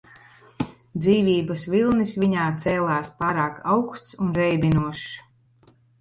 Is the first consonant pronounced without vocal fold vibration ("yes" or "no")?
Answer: no